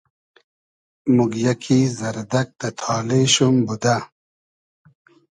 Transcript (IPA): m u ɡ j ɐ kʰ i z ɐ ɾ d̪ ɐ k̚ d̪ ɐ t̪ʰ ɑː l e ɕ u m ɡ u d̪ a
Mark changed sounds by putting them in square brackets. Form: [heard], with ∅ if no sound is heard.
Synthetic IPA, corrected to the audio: m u ɡ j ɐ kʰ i z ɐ ɾ d̪ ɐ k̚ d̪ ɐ t̪ʰ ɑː l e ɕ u m [b] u d̪ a